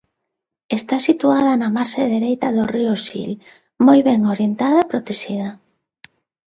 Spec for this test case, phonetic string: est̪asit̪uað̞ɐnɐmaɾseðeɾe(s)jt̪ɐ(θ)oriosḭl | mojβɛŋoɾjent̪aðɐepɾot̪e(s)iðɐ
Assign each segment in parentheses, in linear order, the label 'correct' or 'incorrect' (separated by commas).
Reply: incorrect, incorrect, incorrect